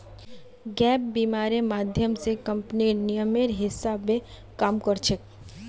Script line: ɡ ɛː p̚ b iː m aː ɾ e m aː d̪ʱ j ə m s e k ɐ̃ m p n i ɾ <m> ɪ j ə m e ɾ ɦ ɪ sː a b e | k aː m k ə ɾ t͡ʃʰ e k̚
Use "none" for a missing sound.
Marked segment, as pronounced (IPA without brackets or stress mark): n